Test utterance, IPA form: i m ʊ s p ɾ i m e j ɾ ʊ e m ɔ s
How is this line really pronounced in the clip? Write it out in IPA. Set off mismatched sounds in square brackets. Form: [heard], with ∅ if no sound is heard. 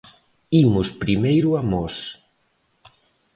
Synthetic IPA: i m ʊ s p ɾ i m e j ɾ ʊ [a] m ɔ s

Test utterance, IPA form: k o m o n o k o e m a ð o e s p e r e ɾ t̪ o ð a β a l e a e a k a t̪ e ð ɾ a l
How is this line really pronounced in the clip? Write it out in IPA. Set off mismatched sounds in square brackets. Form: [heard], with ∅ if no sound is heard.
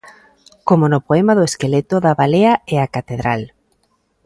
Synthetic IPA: k o m o n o [p] o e m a ð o e s [k] e [l] e [∅] t̪ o ð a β a l e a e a k a t̪ e ð ɾ a l

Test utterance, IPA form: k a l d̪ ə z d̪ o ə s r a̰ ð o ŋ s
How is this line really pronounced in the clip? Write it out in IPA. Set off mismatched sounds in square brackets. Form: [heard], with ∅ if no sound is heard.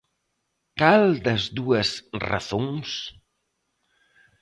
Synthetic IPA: k a l d̪ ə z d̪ [u] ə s r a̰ [θ] o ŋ s

